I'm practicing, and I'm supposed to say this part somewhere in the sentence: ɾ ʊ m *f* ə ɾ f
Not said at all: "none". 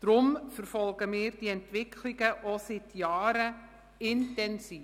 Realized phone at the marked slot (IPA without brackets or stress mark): f